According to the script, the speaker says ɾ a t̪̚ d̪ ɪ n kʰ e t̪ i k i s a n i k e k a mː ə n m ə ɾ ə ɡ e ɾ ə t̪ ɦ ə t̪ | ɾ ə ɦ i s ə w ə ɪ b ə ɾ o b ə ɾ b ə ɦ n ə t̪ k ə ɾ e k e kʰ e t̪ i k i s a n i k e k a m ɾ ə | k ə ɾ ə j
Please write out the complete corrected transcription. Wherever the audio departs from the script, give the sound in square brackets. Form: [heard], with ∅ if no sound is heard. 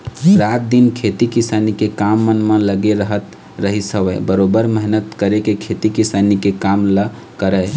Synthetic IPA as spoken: ɾ a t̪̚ d̪ [i] n kʰ e t̪ i k i s a n i k e k a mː ə n m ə [l] ə ɡ e ɾ ə [∅] ɦ ə t̪ | ɾ ə ɦ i s ə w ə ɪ b ə ɾ o b ə ɾ [m] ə ɦ n ə t̪ k ə ɾ e k e kʰ e t̪ i k i s a n i k e k a m [l] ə | k ə ɾ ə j